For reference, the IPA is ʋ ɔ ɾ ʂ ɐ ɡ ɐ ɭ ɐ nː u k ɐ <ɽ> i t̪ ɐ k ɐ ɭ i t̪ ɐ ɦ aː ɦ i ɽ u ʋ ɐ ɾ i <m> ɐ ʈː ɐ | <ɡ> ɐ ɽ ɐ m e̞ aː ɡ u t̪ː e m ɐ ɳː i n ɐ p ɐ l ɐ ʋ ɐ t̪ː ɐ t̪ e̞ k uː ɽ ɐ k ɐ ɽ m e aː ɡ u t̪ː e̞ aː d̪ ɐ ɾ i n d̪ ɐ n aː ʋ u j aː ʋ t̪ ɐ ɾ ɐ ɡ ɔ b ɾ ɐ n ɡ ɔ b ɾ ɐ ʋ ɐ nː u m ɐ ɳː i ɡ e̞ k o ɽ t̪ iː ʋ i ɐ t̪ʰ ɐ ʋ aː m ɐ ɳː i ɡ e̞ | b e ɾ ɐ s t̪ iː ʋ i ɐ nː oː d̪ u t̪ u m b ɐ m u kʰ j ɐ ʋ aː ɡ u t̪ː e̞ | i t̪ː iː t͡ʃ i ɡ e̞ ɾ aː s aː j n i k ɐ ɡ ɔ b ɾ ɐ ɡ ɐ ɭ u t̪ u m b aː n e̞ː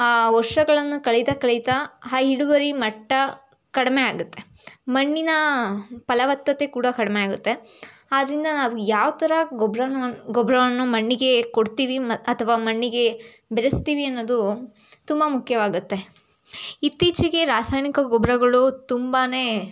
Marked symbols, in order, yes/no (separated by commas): no, yes, no